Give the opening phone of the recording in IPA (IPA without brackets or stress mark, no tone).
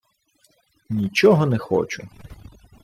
nʲ